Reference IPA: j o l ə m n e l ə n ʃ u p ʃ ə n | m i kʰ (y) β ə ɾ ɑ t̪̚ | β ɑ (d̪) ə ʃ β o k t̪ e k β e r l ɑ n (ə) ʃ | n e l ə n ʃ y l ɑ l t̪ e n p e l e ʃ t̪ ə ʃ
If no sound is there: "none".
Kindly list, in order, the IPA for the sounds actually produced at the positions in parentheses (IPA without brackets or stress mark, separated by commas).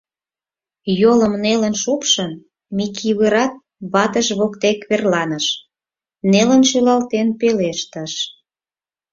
i, t̪, ə